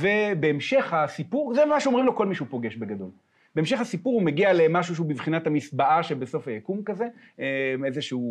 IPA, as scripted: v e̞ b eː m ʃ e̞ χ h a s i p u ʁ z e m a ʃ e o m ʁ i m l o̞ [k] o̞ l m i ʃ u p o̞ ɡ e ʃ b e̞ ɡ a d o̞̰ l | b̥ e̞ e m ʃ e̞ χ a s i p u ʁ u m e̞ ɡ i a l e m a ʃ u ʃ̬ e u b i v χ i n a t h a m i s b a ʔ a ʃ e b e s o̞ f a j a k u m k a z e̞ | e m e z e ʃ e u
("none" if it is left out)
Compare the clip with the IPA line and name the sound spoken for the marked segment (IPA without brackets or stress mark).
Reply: k